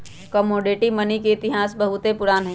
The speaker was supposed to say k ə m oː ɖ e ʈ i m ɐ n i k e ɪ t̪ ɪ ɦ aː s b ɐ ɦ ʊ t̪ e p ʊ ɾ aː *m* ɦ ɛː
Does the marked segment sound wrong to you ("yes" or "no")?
yes